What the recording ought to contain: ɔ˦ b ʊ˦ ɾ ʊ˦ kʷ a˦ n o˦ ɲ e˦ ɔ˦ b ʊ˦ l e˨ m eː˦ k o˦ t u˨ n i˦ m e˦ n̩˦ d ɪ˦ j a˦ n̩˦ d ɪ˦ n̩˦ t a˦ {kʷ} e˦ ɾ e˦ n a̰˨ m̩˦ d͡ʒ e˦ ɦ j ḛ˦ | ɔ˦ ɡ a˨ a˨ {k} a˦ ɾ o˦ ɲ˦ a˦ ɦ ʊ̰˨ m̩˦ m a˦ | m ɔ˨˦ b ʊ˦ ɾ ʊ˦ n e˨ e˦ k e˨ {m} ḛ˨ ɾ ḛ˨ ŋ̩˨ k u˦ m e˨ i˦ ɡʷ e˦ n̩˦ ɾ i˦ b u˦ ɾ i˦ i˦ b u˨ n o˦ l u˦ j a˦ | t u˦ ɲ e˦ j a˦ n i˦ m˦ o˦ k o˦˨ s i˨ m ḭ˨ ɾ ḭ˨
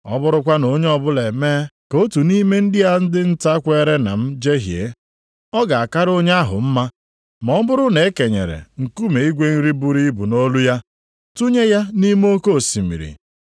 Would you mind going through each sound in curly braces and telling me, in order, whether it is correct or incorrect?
correct, correct, incorrect: ɲ

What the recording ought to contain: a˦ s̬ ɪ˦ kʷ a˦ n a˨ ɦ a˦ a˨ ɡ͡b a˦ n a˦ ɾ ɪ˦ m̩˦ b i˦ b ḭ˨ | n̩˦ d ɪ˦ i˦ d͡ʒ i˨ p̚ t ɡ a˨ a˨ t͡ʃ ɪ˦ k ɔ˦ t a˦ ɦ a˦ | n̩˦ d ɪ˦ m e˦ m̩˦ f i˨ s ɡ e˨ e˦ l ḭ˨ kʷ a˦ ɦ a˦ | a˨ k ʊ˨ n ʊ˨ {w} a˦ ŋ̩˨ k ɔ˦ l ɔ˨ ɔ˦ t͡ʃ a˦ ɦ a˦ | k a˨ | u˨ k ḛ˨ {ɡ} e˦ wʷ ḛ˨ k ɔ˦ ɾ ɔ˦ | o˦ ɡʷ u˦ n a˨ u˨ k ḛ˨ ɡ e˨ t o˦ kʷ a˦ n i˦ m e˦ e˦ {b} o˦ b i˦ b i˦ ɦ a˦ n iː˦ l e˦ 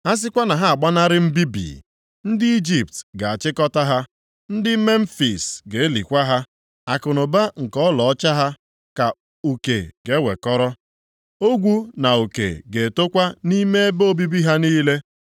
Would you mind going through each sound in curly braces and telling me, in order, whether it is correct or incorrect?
incorrect: b, correct, correct

